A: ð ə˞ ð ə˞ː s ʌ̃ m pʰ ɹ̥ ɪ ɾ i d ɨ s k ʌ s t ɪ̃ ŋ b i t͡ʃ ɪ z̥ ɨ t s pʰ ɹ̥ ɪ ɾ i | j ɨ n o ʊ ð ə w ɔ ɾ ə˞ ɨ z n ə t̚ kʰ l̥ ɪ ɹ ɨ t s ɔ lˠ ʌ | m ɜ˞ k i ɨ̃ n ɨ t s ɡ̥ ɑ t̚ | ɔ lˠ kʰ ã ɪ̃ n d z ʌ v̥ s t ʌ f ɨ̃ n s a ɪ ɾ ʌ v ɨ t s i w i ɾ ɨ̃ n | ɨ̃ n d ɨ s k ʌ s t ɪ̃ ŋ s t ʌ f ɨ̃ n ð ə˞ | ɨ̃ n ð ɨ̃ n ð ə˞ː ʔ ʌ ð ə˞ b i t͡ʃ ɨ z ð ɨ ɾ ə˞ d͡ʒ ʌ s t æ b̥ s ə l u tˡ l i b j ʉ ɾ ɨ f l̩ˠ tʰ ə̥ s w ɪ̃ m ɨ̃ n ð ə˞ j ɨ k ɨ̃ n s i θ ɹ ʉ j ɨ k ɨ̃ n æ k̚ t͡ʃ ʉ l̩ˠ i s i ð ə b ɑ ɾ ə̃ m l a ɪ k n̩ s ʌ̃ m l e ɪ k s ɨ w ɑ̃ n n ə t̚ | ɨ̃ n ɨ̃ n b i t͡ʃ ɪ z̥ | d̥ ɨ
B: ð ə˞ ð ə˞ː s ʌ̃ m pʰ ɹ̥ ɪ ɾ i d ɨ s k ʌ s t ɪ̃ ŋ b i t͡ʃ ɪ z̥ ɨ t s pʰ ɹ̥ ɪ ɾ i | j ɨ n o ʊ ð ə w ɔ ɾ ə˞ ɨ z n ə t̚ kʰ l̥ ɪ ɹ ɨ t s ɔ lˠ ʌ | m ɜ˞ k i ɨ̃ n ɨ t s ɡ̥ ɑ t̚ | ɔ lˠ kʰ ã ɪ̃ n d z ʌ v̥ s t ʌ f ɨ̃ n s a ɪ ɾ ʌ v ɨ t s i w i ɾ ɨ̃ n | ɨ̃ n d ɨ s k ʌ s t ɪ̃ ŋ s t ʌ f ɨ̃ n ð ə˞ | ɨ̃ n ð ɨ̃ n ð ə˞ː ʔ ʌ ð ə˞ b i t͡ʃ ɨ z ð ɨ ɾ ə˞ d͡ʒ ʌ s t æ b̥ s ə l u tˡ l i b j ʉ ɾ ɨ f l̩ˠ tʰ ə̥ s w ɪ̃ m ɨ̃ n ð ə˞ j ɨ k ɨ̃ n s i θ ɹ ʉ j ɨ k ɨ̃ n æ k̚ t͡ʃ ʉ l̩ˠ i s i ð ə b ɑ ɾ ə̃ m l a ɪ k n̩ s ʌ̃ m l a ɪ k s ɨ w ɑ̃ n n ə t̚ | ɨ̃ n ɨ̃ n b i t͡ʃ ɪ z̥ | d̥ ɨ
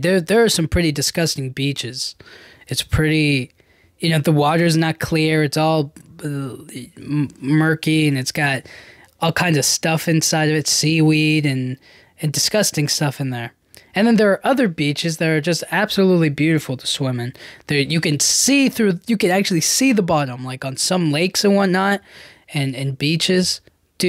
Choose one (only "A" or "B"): A